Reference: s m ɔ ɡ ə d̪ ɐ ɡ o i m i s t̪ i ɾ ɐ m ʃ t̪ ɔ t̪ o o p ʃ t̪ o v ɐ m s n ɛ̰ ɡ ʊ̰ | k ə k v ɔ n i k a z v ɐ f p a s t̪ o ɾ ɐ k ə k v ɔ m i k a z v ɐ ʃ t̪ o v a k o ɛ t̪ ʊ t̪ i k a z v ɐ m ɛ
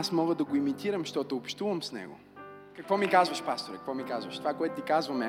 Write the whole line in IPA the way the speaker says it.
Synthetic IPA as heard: s m ɔ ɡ ə d̪ ɐ ɡ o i m i t̪ i ɾ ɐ m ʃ t̪ ɔ t̪ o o p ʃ t̪ u v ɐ m s n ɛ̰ ɡ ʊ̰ | k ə k v ɔ m i k a z v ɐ ʃ p a s t̪ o ɾ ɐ k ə k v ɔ m i k a z v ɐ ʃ t̪ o v a k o ɛ t̪ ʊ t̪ i k a z v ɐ m ɛ